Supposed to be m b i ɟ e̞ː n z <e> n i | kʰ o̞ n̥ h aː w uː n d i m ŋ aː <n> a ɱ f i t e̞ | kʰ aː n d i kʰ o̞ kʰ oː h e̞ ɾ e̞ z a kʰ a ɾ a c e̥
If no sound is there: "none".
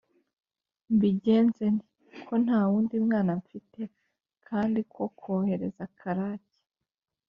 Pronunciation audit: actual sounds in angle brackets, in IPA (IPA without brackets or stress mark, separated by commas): e, n